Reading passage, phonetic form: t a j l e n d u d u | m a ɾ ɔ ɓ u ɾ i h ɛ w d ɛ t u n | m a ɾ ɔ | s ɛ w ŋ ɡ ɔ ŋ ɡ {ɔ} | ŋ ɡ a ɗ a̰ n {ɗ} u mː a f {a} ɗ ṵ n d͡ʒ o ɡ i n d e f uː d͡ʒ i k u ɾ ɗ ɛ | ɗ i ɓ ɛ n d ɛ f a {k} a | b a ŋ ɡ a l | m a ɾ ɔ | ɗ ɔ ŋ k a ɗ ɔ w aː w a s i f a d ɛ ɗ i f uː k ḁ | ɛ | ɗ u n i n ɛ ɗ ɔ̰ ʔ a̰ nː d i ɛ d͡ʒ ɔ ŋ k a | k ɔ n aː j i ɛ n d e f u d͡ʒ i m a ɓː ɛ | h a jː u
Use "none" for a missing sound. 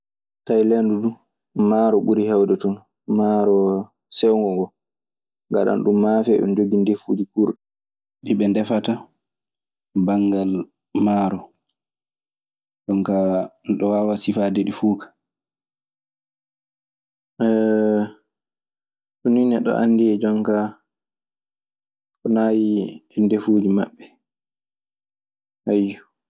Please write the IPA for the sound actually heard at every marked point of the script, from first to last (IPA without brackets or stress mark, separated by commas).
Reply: ɔ, ɗ, ɛ, t